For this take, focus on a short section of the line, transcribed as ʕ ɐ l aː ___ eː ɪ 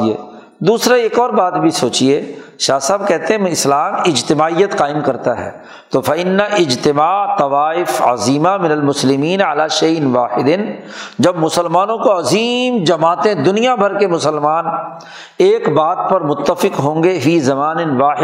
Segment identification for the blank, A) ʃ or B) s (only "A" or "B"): A